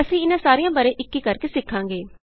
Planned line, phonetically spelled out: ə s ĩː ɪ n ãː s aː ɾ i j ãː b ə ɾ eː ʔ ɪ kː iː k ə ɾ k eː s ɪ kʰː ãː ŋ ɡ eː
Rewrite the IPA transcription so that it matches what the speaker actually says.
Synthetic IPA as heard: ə s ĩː ɪ n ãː s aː ɾ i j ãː b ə ɾ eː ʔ ɪ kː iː k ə ɾ k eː s ɪ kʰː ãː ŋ ɡ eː

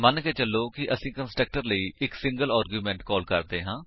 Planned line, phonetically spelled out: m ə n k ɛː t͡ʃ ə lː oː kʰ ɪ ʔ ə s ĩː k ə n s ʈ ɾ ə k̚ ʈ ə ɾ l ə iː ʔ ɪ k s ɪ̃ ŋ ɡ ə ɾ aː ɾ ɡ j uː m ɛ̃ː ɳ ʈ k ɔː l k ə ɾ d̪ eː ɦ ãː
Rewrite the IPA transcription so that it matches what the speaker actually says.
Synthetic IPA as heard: m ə n k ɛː t͡ʃ ə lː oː k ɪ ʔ ə s ĩː k ə n s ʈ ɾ ə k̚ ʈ ə ɾ l ə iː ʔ ɪ k s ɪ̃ ŋ ɡ ə l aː ɾ ɡ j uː m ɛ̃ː ɳ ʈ k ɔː l k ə ɾ d̪ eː ɦ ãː

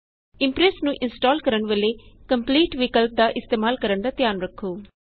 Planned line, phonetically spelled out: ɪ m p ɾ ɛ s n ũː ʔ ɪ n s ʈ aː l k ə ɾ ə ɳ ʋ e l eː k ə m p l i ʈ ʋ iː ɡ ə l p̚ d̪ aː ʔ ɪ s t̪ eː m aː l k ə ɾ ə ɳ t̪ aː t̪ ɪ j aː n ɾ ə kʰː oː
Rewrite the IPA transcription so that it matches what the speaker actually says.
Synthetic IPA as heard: ɪ m p ɾ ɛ s n ũː ʔ ɪ n s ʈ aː l k ə ɾ ə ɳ ʋ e l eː k ə m p l iː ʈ ʋ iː k ə l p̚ d̪ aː ʔ ɪ s t̪ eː m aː l k ə ɾ ə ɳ d̪ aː t̪ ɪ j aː n ɾ ə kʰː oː

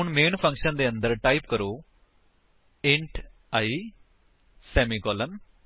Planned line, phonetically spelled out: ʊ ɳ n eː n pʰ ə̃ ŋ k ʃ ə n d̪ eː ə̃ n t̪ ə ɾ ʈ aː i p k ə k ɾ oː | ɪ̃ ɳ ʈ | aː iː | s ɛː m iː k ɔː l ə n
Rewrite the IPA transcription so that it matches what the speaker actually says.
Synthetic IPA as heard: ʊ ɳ m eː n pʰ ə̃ ŋ k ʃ ə n d̪ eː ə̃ n d̪ ə ɾ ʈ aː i p k ə ɾ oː | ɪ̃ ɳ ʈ | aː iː | s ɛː m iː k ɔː l ə n

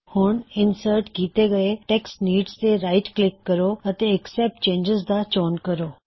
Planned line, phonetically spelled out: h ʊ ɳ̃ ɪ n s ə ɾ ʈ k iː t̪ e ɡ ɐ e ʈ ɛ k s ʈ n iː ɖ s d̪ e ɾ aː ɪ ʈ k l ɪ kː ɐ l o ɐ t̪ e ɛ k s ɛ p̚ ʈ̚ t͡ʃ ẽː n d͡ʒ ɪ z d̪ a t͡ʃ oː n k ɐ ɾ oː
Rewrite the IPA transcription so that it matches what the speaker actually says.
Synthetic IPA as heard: h ʊ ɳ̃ ɪ n s ə ɾ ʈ k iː t̪ e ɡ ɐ e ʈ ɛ k s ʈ n iː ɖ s t̪ e ɾ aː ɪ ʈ k l ɪ kː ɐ ɾ o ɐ t̪ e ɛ k s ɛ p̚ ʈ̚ t͡ʃ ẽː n d͡ʒ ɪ z d̪ a t͡ʃ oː n k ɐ ɾ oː

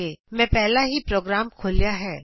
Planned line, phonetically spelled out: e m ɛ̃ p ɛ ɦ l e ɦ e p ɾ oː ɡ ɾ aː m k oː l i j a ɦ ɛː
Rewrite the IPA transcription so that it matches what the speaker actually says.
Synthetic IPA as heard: e m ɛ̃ p ɛ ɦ l a ɦ i p ɾ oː ɡ ɾ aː m kʰ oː l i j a ɦ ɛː

